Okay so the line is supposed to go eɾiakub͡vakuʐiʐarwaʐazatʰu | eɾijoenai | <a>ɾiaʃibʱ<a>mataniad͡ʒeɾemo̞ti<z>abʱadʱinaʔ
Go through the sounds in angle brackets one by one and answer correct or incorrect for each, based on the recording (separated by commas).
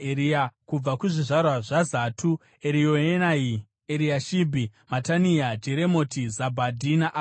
incorrect, incorrect, correct